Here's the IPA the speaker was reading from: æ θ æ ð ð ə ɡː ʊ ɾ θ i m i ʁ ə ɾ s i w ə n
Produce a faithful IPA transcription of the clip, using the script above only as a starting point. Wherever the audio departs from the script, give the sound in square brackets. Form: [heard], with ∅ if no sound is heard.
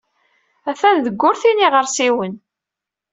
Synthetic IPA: æ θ æ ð ð ə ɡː ʊ ɾ θ i [n] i ʁ ə ɾ s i w ə n